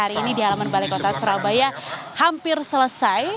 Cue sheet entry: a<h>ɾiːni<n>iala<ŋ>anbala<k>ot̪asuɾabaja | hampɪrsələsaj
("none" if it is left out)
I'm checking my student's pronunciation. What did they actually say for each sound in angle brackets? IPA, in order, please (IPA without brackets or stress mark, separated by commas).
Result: none, d, m, k